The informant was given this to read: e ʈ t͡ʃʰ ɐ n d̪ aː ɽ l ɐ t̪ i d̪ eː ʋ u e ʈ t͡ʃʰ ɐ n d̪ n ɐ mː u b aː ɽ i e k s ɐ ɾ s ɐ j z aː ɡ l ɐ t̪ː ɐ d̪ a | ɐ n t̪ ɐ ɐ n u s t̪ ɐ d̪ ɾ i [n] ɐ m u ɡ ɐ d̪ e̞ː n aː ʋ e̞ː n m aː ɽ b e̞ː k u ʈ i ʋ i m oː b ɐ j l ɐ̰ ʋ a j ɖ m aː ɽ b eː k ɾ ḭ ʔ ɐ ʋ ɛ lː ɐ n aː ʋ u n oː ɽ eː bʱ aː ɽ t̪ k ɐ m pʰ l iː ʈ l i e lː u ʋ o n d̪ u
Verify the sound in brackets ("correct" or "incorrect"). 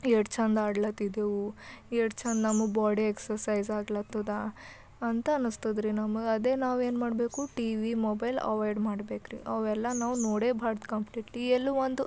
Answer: correct